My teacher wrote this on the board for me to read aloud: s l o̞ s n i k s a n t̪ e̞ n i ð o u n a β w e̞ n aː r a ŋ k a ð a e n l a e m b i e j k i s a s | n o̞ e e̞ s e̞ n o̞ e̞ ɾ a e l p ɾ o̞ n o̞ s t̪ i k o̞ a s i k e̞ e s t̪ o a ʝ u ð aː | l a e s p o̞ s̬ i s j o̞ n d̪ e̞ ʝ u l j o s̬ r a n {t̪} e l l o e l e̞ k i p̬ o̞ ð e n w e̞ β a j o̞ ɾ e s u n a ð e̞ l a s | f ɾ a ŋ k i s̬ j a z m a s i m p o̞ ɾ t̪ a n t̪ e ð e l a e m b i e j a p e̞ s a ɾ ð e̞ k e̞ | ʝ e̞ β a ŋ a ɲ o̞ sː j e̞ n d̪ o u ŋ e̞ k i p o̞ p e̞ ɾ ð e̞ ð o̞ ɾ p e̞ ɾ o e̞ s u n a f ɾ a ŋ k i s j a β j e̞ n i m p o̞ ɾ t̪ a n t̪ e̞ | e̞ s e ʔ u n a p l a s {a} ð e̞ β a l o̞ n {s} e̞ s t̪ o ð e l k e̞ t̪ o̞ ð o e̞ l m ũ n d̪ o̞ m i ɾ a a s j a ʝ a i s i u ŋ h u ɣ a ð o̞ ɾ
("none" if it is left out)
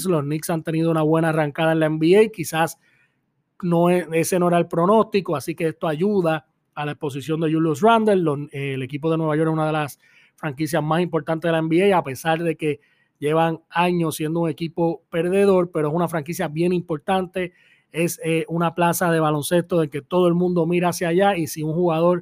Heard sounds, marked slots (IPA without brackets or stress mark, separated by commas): d̪, a, s